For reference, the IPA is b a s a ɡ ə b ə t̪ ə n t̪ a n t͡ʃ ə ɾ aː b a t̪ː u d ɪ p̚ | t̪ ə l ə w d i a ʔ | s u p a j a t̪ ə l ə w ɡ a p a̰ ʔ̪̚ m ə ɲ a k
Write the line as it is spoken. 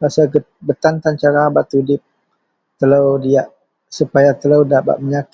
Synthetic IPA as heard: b a s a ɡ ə b ə t̪ a n t̪ a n t͡ʃ a ɾ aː b a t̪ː u d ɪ p̚ | t̪ ə l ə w d i a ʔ | s u p a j a t̪ ə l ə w d a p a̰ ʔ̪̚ m ə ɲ a k